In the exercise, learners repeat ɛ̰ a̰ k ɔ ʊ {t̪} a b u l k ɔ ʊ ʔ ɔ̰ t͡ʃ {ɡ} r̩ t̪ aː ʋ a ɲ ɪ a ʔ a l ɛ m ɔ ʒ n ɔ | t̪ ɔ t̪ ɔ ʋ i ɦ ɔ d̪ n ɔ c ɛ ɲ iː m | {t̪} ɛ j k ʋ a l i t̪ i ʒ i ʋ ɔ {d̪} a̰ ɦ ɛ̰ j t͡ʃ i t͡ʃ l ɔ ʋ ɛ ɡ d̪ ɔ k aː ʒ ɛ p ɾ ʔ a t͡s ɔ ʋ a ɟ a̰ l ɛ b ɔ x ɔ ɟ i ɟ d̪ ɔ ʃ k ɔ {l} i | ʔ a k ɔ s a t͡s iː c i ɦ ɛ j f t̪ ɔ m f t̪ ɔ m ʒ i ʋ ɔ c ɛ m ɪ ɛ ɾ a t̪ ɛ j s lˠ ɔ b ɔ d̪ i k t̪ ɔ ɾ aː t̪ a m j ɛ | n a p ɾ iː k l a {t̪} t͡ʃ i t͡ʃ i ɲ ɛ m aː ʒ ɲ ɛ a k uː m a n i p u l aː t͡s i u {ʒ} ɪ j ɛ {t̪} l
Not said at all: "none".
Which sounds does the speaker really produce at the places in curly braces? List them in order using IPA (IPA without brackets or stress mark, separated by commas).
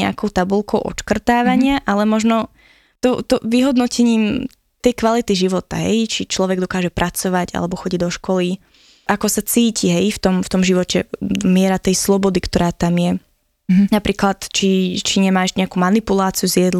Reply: t̪, k, t̪, t̪, l, t̪, z, d̪